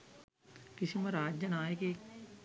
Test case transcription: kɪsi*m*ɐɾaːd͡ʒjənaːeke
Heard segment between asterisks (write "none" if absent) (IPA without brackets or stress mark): m